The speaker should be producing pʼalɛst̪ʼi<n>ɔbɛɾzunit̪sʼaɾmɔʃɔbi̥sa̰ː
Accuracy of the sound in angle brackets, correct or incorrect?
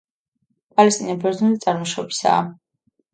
correct